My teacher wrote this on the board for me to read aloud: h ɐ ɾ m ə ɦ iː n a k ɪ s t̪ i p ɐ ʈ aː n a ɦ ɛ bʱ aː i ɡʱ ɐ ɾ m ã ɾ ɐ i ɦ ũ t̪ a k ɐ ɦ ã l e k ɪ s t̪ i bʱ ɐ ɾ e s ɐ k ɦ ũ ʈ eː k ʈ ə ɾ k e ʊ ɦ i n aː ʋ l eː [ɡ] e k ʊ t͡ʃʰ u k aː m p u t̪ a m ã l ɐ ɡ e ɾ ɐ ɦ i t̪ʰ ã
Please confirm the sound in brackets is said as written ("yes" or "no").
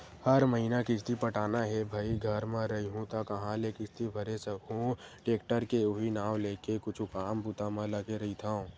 no